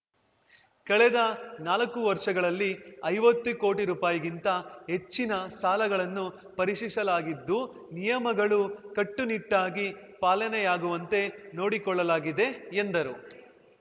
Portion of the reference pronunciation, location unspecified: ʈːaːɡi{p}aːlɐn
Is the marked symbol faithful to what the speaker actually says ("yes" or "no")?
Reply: yes